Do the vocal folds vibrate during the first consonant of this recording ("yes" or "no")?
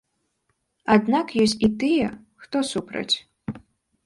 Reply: yes